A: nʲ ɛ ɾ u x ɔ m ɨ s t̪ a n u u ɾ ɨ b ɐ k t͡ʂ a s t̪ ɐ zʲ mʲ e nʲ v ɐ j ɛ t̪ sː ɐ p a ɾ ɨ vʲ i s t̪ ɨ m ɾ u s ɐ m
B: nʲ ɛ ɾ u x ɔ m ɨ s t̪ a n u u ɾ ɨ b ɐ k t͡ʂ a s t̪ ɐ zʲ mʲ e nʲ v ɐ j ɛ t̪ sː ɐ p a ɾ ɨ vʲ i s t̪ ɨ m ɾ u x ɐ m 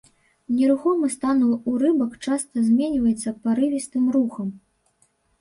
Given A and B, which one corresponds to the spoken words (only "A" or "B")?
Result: B